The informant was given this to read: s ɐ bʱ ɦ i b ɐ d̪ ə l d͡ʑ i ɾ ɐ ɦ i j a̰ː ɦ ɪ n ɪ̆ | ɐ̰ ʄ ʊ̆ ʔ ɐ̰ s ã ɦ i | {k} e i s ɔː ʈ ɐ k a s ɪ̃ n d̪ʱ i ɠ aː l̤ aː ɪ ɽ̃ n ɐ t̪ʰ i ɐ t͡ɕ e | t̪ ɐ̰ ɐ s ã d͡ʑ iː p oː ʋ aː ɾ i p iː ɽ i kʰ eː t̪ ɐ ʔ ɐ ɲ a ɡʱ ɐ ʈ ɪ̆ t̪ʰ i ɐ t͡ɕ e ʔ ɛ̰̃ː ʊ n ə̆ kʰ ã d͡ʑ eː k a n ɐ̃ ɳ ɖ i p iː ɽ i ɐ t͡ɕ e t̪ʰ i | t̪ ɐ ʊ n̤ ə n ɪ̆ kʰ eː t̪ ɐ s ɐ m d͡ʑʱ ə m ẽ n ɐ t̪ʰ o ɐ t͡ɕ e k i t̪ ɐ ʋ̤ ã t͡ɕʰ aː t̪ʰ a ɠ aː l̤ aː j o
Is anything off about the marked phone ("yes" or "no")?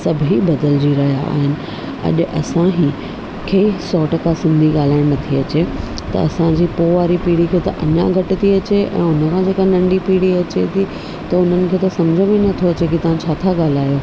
yes